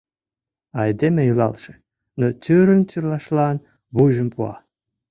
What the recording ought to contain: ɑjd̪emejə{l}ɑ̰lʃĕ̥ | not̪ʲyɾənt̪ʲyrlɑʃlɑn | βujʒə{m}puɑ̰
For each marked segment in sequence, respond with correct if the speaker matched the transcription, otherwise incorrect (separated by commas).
correct, correct